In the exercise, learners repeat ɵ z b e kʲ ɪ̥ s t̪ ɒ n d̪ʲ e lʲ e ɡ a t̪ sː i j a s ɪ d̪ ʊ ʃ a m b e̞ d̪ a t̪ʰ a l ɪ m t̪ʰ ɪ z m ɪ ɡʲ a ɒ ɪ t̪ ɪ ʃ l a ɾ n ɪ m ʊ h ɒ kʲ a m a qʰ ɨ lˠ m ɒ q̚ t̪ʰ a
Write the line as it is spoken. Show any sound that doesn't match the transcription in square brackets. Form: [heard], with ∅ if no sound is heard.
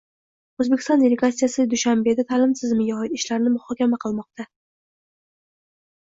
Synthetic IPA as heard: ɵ z b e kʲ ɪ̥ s t̪ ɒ n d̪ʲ e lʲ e ɡ a t̪ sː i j a s ɪ d̪ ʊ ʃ a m b e̞ d̪ a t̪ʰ a l ɪ m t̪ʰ ɪ z m ɪ ɡʲ a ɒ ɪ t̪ ɪ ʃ l a ɾ n ɪ m ʊ h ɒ kʲ a m a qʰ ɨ lˠ m ɒ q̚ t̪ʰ a

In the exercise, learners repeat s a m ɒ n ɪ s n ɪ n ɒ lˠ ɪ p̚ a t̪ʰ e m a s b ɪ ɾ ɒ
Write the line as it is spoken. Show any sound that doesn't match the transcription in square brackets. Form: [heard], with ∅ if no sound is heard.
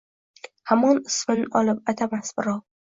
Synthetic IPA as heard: [h] a m ɒ n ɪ s [m] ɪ n ɒ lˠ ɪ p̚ a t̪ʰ [a] m a s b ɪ ɾ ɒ

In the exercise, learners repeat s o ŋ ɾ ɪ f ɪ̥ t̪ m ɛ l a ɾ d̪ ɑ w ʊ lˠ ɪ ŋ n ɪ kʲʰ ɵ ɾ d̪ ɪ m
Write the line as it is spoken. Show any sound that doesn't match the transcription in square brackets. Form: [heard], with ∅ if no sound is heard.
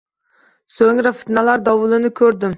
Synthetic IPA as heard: s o ŋ ɾ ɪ f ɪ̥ t̪ [n] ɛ l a ɾ d̪ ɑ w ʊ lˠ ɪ [∅] n ɪ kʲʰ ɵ ɾ d̪ ɪ m

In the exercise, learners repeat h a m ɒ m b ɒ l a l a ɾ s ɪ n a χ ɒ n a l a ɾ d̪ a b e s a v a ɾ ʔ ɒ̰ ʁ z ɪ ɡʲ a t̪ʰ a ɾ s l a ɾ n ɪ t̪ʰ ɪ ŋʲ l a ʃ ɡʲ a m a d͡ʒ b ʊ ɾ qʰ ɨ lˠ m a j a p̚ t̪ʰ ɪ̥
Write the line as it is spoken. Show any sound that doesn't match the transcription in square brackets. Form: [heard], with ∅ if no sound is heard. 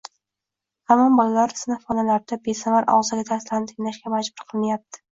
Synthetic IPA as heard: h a m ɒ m b ɒ l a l a ɾ s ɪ n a [f] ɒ n a l a ɾ d̪ a b e s a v a ɾ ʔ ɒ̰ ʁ z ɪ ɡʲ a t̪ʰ a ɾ s l a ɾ n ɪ t̪ʰ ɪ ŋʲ l a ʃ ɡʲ a m a d͡ʒ b ʊ ɾ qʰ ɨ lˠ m a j a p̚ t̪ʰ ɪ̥

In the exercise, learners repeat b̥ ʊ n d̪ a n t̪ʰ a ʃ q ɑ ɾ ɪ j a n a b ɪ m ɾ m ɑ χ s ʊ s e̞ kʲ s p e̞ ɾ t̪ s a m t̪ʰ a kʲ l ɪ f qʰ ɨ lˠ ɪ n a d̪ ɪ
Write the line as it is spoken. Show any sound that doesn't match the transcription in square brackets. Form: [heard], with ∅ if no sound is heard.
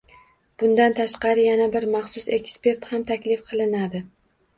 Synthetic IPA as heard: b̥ ʊ n d̪ a n t̪ʰ a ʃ q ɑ ɾ ɪ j a n a b ɪ [∅] ɾ m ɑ χ s ʊ s e̞ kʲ s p e̞ ɾ t̪ [h] a m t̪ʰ a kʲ l ɪ f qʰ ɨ lˠ ɪ n a d̪ ɪ

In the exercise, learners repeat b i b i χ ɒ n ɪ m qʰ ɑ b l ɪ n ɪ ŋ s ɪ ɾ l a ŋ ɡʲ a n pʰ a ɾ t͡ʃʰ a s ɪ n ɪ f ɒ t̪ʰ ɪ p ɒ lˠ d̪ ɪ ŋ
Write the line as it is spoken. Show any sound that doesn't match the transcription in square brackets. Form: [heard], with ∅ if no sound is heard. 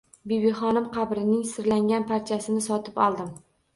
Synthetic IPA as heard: b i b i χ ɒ n ɪ m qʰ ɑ b [ɾ] ɪ n ɪ ŋ s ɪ ɾ l a ŋ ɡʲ a n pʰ a ɾ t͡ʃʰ a s ɪ n ɪ [s] ɒ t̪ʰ ɪ p ɒ lˠ d̪ ɪ [m]

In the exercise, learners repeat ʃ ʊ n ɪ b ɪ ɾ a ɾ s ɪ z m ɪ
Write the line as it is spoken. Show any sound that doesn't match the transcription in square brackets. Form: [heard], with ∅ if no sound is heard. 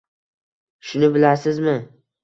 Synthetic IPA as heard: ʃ ʊ n ɪ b ɪ [l] a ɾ s ɪ z m ɪ

